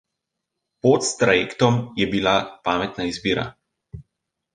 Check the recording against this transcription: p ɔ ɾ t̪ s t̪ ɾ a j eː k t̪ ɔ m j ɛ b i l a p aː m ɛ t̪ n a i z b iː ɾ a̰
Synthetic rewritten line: p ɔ t̪ s t̪ ɾ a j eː k t̪ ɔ m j ɛ b i l a p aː m ɛ t̪ n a i z b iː ɾ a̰